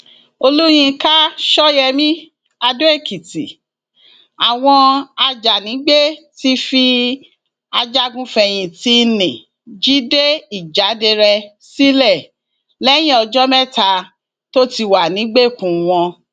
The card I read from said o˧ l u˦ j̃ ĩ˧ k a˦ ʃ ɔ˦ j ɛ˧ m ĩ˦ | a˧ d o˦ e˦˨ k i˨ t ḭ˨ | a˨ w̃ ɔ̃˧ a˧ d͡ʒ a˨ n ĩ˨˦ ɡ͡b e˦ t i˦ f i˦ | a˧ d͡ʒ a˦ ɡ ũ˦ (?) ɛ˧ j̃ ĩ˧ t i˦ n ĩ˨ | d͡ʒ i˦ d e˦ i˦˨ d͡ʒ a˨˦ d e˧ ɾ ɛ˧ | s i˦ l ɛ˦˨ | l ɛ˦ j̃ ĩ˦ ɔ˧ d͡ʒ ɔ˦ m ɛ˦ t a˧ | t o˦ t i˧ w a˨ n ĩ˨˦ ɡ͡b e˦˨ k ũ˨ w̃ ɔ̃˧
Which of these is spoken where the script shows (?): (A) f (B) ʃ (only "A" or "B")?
A